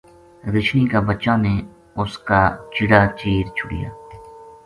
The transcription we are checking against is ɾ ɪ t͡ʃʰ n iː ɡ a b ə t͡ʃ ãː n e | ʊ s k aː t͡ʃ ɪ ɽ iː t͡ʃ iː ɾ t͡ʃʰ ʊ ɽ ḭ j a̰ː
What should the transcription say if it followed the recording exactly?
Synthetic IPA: ɾ ɪ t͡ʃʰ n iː k a b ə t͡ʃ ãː n e | ʊ s k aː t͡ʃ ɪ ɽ aː t͡ʃ iː ɾ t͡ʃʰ ʊ ɽ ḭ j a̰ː